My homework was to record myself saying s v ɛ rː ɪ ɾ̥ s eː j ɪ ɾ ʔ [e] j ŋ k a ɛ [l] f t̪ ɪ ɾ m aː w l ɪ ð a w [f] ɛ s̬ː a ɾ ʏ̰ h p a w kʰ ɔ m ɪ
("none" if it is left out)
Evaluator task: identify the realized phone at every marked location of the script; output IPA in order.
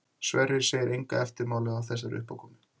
e, none, θ

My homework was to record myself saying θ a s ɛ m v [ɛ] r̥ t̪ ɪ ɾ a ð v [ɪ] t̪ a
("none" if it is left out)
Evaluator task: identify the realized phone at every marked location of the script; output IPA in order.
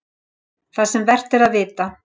ɛ, ɪː

